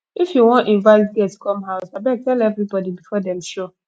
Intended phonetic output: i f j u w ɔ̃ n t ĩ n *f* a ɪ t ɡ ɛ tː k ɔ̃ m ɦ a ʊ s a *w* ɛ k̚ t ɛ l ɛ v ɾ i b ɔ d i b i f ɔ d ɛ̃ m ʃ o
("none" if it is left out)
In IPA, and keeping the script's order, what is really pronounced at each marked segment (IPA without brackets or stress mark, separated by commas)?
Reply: v, b